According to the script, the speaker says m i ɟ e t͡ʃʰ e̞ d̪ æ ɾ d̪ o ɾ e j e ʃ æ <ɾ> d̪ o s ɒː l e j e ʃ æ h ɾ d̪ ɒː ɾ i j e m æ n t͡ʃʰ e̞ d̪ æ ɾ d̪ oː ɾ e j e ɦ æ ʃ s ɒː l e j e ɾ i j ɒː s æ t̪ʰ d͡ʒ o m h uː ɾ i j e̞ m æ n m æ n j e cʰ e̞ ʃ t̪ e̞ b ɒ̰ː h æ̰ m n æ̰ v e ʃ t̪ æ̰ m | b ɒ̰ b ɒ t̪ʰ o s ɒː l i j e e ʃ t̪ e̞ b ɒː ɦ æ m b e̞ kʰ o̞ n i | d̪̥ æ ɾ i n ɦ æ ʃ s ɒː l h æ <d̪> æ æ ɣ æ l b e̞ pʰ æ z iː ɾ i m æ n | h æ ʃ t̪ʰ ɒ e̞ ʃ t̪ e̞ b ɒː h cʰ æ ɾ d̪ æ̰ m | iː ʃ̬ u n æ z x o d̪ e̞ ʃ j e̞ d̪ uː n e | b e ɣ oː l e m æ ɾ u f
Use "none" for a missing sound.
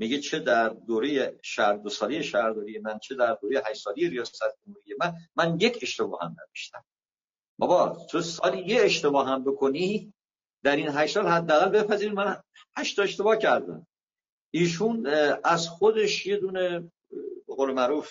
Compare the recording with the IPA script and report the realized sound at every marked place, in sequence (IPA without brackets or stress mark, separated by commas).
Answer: ɾ, d̪ː